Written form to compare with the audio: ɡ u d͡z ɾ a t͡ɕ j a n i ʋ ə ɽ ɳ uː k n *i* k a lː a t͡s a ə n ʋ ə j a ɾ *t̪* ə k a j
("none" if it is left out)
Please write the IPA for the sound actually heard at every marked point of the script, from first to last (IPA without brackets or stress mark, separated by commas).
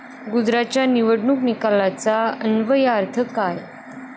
i, t̪ʰ